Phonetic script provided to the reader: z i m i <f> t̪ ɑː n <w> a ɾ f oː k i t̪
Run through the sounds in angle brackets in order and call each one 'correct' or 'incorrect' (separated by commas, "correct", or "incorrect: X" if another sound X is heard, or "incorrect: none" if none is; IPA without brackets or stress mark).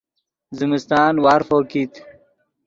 incorrect: s, correct